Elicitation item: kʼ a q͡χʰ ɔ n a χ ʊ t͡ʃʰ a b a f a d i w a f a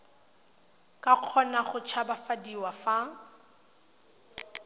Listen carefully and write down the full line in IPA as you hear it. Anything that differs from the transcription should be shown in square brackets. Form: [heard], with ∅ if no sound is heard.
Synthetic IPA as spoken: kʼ a q͡χʰ ɔ n a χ ʊ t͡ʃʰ a b a f a d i w a f a